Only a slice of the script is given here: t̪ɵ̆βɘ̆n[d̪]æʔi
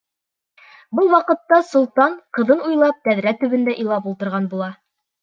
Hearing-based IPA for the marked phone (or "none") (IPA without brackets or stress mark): d̪